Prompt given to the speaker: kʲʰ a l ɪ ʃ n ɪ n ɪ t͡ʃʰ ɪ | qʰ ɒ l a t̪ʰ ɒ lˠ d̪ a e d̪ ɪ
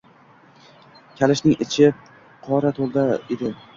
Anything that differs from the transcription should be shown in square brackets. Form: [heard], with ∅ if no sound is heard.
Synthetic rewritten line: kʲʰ a l ɪ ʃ n ɪ [ŋ] ɪ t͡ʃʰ ɪ | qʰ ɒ [ɾ] a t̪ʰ [o] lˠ d̪ a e d̪ ɪ